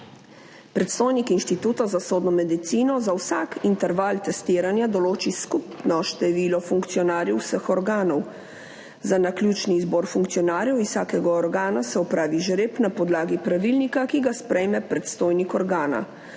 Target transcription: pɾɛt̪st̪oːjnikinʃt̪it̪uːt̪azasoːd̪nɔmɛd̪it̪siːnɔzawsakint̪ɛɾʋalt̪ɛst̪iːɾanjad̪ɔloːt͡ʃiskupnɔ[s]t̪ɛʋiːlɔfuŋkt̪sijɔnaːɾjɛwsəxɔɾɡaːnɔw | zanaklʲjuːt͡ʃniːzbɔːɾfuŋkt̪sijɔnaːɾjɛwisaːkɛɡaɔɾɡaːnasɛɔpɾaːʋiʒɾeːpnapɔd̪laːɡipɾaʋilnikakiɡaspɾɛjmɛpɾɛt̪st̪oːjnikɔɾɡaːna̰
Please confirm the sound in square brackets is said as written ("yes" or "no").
no